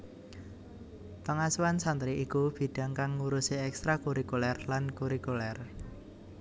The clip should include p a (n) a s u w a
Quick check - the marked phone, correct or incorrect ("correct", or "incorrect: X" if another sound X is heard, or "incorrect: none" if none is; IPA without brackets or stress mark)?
incorrect: ŋ